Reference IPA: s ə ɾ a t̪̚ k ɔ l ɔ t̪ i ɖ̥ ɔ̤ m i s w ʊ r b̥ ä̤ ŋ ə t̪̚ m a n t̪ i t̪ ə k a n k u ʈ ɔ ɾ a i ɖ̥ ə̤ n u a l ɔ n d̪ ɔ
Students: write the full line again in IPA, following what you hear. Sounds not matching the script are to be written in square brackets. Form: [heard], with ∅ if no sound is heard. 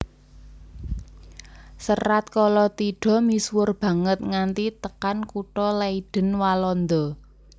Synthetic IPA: s ə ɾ a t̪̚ k ɔ l ɔ t̪ i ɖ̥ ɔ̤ m i s w ʊ r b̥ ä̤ ŋ ə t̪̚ [ŋ] a n t̪ i t̪ ə k a n k u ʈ ɔ [l] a i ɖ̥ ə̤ n [w] a l ɔ n d̪ ɔ